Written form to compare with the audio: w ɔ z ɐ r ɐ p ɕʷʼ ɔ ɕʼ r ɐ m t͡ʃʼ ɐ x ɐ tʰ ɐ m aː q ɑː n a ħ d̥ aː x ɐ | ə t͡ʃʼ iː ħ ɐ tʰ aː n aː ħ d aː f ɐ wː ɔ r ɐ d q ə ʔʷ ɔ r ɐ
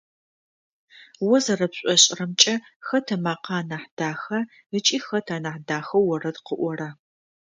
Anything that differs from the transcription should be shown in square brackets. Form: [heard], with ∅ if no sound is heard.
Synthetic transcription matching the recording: w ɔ z ɐ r ɐ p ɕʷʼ ɔ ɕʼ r ɐ m t͡ʃʼ ɐ x ɐ tʰ ɐ m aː q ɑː n a ħ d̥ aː x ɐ | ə t͡ʃʼ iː [x] ɐ tʰ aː n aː ħ d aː [x] ɐ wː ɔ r ɐ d q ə ʔʷ ɔ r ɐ